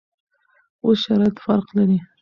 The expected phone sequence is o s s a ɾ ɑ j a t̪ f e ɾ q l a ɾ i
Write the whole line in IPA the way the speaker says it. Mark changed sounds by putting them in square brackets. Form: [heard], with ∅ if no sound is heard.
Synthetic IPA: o s [ʃ] a ɾ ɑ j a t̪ f [a] ɾ q l a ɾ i